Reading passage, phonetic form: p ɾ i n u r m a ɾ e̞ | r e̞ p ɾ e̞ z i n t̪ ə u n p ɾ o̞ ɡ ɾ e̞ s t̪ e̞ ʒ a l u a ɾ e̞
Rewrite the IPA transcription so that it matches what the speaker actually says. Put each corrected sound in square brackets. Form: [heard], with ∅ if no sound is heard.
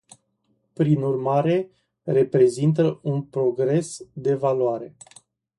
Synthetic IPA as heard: p ɾ i n u r m a ɾ e̞ | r e̞ p ɾ e̞ z i n t̪ ə u n p ɾ o̞ ɡ ɾ e̞ s [d̪] e̞ [v] a l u a ɾ e̞